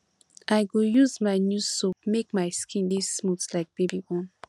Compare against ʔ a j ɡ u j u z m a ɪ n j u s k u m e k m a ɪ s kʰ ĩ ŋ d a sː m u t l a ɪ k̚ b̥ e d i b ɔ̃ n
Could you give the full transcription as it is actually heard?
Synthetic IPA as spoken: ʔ a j ɡ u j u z m a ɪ n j u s t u m e k m a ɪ s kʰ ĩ n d i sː m u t l a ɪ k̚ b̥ e b i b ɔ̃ n